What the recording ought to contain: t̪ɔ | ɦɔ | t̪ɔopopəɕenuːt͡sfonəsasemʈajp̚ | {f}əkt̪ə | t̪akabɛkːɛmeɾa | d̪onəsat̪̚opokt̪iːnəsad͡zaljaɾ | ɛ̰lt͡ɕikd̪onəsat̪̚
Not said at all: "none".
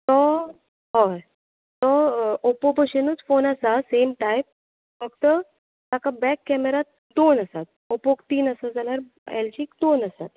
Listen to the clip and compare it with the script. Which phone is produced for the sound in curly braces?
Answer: f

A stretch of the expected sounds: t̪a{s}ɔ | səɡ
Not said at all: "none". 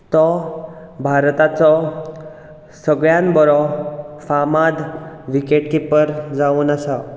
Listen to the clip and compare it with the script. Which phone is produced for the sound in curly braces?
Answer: t͡s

